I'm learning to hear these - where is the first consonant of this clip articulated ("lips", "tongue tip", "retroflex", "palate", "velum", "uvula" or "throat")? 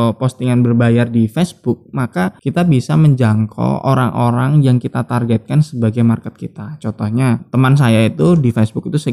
lips